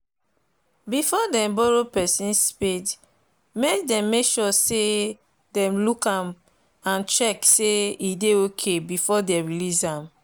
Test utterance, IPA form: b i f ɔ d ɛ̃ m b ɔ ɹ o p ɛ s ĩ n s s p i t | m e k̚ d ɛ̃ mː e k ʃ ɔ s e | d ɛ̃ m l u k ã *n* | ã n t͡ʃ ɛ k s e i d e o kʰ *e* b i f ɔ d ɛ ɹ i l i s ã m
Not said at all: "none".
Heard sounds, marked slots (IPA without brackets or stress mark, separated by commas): m, e